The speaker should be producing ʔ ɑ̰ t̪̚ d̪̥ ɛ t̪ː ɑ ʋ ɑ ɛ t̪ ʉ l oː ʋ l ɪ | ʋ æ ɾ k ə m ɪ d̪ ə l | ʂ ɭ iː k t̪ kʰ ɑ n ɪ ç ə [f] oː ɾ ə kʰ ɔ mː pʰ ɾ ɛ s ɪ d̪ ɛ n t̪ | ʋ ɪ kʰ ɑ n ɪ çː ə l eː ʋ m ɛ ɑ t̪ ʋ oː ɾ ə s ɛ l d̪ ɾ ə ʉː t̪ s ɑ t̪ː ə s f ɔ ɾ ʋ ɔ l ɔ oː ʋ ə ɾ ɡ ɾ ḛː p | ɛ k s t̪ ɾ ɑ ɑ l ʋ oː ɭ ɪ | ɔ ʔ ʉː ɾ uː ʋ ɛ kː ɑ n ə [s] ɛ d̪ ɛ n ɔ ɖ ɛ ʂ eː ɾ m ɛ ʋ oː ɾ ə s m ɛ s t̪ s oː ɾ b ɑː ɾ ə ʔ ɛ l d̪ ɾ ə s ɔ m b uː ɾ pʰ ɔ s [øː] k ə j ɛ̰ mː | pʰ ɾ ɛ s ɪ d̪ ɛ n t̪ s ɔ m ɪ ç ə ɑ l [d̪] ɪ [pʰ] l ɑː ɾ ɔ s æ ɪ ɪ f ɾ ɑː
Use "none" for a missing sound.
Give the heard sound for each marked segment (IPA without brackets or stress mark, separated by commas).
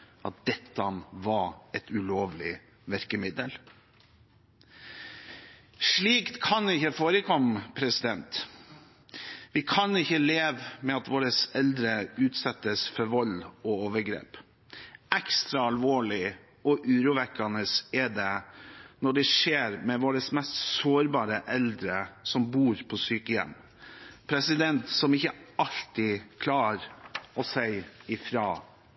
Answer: f, s, yː, t̪, kʰ